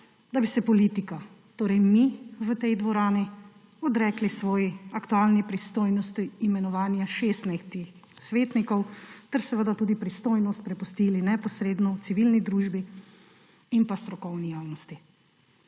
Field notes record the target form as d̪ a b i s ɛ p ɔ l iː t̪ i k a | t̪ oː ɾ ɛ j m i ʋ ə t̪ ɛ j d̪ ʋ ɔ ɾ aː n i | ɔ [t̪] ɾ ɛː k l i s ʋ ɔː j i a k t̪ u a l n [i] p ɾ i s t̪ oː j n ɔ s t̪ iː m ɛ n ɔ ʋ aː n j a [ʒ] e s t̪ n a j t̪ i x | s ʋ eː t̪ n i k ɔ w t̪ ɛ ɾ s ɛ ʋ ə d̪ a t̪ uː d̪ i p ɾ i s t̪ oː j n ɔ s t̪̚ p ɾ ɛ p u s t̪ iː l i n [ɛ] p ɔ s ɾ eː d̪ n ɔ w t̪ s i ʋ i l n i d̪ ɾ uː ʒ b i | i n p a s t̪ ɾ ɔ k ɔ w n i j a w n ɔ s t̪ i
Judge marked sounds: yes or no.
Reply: no, yes, no, yes

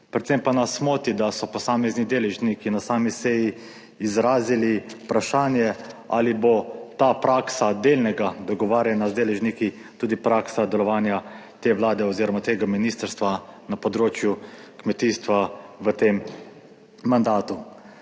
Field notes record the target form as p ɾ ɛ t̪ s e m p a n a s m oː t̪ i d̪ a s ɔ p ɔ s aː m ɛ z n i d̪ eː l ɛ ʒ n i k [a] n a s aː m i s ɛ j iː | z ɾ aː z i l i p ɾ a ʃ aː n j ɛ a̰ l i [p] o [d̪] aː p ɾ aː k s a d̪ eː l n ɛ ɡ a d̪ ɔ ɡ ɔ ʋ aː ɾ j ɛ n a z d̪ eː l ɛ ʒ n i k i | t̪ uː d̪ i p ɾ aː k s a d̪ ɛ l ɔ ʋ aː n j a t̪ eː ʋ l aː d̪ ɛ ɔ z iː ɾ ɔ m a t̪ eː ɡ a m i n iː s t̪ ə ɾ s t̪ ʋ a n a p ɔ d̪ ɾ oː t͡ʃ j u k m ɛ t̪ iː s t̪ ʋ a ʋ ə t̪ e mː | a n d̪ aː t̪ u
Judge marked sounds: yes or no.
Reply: no, no, no

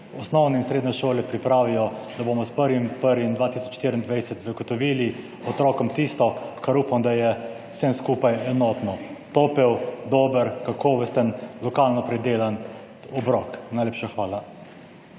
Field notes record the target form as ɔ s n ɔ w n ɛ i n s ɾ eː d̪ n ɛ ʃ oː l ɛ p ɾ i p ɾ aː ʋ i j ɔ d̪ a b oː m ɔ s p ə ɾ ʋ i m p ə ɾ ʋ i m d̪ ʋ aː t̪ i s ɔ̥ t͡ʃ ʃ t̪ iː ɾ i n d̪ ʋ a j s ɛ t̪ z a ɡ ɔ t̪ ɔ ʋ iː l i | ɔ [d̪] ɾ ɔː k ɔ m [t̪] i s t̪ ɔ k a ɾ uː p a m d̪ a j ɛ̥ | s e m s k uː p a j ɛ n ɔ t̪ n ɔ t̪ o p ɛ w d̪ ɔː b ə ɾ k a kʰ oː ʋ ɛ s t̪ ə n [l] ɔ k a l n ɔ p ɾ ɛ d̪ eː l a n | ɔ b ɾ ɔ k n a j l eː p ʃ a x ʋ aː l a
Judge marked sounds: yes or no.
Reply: no, yes, yes

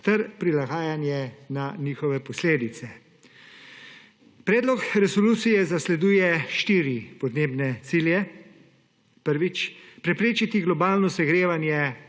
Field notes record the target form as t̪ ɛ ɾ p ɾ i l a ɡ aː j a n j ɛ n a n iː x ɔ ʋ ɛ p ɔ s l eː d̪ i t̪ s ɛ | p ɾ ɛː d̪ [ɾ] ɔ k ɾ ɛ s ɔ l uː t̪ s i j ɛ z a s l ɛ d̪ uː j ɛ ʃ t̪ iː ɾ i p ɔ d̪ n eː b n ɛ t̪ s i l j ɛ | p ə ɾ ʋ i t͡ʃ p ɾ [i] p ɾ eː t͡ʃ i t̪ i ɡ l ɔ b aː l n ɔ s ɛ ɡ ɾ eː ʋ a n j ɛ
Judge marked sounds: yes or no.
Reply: no, no

